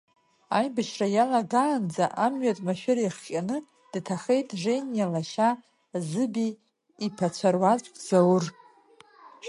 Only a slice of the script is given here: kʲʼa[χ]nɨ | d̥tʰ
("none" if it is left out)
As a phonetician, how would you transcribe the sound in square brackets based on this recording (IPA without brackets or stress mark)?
none